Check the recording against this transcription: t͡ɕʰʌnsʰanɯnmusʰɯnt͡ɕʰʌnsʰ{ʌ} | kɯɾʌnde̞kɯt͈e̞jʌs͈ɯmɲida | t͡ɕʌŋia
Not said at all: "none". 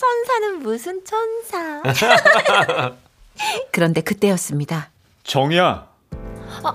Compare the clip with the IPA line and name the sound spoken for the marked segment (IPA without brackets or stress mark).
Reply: a